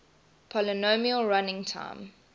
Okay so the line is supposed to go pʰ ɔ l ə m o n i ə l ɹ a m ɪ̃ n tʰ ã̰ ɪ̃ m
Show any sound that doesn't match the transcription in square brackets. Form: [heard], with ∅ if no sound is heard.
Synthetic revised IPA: pʰ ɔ l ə [n] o [m] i ə l ɹ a [n] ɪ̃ [ŋ] tʰ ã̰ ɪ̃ m